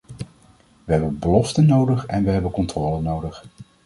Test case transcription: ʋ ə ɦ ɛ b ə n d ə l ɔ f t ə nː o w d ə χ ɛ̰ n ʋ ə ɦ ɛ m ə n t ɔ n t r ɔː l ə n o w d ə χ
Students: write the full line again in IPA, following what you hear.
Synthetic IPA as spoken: ʋ ə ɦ ɛ b ə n b ə l ɔ f t ə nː o w d ə χ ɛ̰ n ʋ ə ɦ ɛ b ə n k ɔ n t r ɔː l ə n o w d ə χ